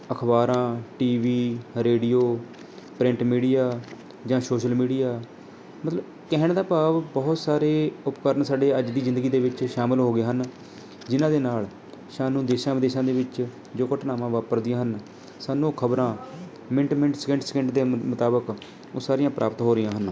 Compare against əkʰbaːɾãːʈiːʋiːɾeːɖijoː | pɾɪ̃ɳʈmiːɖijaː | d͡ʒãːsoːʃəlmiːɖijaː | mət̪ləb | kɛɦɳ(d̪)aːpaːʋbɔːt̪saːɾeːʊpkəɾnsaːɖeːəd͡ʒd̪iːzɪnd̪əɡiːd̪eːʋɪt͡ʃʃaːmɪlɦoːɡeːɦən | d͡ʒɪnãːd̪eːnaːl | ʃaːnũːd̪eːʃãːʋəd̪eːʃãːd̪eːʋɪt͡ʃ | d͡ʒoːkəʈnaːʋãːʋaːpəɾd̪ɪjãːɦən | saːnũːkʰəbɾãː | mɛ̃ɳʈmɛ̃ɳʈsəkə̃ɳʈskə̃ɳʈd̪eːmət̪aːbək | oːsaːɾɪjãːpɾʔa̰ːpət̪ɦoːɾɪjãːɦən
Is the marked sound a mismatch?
no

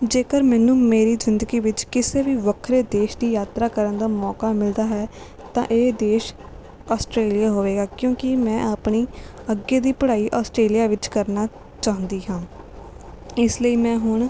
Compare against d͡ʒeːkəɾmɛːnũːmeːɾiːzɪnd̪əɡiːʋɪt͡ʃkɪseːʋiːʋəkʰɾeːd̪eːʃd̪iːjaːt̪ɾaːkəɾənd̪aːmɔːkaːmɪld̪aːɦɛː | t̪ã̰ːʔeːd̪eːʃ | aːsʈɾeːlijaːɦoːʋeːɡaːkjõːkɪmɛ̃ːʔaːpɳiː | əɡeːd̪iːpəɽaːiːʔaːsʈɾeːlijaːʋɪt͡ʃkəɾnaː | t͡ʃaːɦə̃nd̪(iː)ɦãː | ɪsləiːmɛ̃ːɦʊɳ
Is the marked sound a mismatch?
no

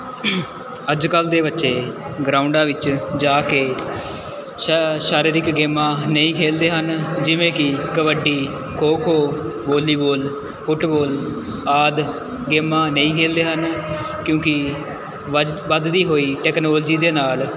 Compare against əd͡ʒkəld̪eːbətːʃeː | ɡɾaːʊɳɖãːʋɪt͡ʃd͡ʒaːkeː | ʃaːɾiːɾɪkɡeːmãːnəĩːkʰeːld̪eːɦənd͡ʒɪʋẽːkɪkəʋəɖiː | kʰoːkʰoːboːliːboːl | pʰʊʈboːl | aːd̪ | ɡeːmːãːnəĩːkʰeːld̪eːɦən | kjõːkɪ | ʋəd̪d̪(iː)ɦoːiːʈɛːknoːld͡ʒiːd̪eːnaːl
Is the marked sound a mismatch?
no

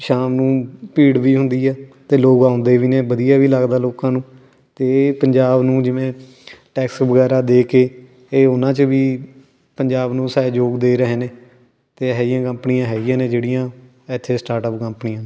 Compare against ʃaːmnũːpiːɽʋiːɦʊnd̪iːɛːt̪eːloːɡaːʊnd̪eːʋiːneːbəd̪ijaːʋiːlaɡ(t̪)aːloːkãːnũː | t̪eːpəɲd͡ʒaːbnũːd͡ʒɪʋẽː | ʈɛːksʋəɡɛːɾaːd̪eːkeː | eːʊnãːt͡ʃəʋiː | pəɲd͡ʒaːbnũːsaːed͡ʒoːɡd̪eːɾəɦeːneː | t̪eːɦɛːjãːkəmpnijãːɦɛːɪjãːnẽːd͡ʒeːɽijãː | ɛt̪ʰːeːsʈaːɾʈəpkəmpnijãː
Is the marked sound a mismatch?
yes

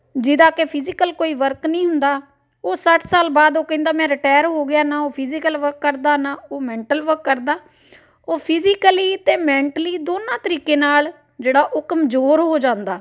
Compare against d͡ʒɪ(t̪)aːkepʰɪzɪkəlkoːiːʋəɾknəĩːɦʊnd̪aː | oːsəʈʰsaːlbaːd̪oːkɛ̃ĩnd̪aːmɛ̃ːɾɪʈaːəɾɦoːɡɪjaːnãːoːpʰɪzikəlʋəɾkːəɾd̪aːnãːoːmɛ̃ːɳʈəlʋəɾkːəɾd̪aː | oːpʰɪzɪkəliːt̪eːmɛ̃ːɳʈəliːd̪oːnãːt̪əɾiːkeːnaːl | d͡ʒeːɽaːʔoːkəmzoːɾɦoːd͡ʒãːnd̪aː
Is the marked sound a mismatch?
yes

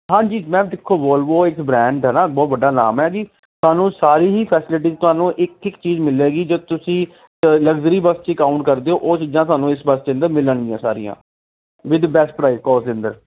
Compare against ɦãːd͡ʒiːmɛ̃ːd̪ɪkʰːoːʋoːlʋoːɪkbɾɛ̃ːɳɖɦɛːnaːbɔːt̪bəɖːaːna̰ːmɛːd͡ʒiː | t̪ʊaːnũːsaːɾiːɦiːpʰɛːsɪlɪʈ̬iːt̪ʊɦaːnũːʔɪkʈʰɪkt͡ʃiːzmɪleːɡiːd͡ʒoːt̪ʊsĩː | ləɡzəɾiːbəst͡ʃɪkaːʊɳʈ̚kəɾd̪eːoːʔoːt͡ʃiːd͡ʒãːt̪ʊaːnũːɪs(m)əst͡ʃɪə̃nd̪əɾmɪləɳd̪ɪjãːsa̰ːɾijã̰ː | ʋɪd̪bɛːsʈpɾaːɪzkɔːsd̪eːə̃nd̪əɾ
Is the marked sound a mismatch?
yes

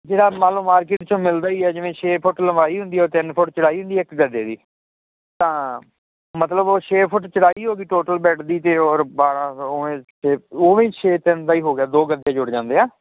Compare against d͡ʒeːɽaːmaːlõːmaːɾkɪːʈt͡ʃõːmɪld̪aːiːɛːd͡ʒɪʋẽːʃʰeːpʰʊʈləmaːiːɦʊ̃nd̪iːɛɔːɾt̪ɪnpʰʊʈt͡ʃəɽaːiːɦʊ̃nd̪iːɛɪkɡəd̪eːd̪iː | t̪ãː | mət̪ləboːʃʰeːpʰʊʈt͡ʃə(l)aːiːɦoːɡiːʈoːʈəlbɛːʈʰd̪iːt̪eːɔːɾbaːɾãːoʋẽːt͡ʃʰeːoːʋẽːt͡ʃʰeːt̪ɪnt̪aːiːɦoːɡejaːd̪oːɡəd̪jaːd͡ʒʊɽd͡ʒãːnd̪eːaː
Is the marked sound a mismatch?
yes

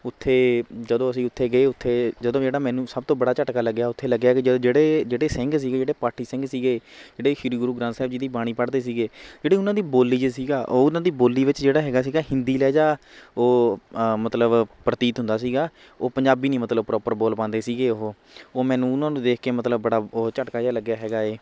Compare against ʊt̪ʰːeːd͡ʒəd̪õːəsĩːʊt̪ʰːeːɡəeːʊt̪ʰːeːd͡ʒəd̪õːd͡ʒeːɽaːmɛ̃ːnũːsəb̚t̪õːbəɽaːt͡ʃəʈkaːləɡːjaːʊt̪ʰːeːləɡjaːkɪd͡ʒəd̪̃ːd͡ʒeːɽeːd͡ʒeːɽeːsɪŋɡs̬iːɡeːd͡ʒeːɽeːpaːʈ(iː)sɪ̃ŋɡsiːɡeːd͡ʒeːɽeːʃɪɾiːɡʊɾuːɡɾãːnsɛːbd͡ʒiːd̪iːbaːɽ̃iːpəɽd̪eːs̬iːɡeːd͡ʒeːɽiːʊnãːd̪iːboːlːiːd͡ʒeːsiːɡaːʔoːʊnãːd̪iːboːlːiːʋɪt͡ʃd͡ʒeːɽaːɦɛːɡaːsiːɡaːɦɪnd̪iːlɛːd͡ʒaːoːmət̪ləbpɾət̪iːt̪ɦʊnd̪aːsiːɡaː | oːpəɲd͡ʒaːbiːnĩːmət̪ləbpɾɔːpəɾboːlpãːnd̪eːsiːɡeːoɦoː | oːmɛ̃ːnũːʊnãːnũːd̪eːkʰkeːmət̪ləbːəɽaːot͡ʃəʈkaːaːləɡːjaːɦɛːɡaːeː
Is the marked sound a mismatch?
no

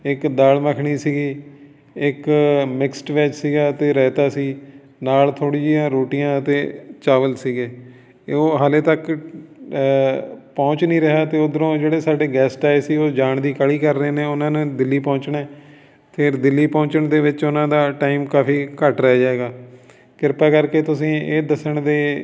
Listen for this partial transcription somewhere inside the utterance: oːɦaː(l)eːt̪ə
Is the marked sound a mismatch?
no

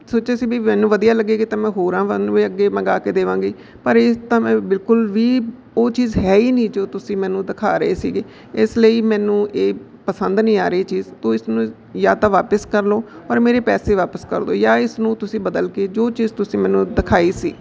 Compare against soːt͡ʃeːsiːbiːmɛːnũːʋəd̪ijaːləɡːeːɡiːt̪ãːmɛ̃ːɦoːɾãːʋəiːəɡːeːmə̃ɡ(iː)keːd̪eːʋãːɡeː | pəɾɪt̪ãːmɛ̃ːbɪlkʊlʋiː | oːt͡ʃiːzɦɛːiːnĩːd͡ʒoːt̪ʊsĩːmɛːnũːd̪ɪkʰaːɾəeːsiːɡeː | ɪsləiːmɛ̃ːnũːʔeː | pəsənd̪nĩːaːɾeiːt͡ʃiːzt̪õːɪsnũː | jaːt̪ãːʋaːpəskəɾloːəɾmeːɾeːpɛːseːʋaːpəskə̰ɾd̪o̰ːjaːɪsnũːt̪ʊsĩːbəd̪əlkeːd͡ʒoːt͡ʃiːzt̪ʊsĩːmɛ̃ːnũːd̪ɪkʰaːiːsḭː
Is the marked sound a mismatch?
yes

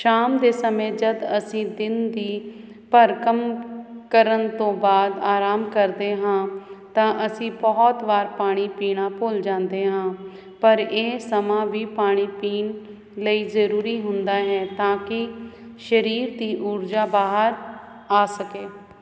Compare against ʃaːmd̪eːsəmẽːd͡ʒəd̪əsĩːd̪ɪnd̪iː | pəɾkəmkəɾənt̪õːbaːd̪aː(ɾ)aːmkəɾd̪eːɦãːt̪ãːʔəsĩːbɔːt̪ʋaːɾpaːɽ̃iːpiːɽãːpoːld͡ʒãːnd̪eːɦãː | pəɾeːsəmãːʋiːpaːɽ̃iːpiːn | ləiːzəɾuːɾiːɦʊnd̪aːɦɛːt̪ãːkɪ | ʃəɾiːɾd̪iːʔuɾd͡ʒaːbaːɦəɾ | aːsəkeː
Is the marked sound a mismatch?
no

